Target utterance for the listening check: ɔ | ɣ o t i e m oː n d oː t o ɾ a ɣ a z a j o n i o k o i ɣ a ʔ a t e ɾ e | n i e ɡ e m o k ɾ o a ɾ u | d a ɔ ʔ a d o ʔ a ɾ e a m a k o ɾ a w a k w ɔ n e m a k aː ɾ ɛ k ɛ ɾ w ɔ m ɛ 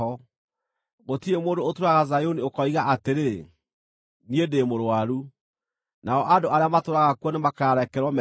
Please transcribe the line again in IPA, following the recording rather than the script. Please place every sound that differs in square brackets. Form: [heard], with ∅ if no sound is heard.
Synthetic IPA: ɔ | ɣ o t i e m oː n d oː t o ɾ a ɣ a z a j o n i o k [ɔ] i ɣ a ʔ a t e ɾ e | n i e [d] e m o [∅] ɾ o a ɾ u | [n] a ɔ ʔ a d o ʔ a ɾ e a m a [t] o ɾ a [ɣ] a k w ɔ n e m a k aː ɾ ɛ k ɛ ɾ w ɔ m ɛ

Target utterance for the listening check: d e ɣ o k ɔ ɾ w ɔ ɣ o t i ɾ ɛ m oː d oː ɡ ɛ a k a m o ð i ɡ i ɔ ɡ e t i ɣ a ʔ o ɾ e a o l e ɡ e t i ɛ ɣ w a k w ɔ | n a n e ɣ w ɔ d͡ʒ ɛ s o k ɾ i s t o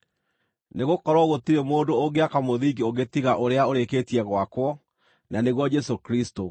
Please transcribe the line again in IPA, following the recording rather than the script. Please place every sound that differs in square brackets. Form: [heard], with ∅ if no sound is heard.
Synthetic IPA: [n] e ɣ o k ɔ ɾ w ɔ ɣ o t i ɾ [e] m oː d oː ɡ [e] a k a m o ð i ɡ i [o] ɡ e t i ɣ a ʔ o ɾ e a o [ɾ] e [k] e t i ɛ ɣ w a k w ɔ | n a n e ɣ w ɔ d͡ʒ ɛ s o k ɾ i s t o

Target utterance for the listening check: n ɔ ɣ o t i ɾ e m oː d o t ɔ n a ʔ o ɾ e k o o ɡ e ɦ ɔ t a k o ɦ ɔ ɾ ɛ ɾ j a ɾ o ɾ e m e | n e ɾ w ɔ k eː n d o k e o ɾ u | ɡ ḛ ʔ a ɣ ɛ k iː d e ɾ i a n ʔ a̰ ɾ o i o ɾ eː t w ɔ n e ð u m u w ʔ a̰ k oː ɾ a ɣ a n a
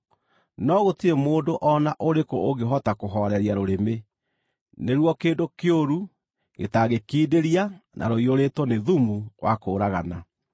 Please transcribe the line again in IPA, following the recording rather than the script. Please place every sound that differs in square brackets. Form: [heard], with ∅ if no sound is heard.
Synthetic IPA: n ɔ ɣ o t i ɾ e m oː d o [ʔ] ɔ n a ʔ o ɾ e k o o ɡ e ɦ ɔ t a k o ɦ ɔ ɾ ɛ ɾ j a ɾ o ɾ e m e | n e ɾ w ɔ k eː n d o k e o ɾ u | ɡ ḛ [t] a ɣ [e] k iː d e ɾ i a n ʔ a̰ ɾ o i o ɾ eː t w ɔ n e ð u m u w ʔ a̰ k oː ɾ a ɣ a n a

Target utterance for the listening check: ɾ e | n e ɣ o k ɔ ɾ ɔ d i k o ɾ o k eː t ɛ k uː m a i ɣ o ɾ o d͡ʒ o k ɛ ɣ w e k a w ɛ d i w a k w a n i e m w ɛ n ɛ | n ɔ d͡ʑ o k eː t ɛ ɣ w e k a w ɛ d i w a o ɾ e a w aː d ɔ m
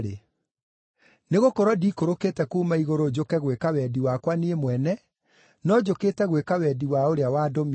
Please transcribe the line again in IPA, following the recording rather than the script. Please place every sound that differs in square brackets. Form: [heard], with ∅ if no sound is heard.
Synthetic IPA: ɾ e | n e ɣ o k ɔ ɾ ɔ d i k o ɾ o k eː t ɛ k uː m a i ɣ o ɾ o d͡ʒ o k ɛ ɣ w e k a w ɛ d i w a k w a n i e m w ɛ n ɛ | n ɔ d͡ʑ o k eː t ɛ ɣ w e k a w ɛ d i w a o ɾ e a w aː d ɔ m

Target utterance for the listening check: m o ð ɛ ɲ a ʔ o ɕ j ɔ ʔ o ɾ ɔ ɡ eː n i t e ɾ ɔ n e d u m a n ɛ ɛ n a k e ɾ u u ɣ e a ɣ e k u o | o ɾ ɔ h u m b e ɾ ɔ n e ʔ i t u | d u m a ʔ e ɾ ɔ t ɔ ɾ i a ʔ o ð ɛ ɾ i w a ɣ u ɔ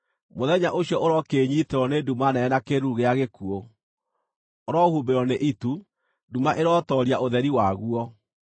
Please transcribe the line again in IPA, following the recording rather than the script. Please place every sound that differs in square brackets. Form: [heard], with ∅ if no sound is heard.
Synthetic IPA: m o ð ɛ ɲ a ʔ o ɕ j ɔ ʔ o ɾ ɔ [k] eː [ɲ] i t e ɾ ɔ n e d u m a n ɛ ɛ n a k e ɾ u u ɣ e a ɣ e k u o | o ɾ ɔ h u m b e ɾ ɔ n e ʔ i t u | d u m a ʔ e ɾ ɔ t ɔ ɾ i a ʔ o ð ɛ ɾ i w a ɣ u ɔ

